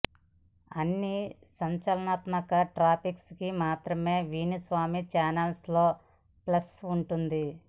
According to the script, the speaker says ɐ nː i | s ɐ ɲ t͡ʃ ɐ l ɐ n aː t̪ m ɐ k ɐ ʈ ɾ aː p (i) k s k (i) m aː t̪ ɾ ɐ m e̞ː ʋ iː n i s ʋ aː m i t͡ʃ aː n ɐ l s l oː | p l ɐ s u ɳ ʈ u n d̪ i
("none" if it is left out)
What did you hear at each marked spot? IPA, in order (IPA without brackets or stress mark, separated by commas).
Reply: i, i